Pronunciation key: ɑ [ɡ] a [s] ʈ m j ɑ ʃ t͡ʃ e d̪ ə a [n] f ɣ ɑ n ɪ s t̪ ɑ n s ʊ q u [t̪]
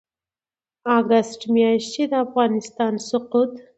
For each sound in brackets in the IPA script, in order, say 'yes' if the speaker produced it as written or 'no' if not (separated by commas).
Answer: yes, yes, no, yes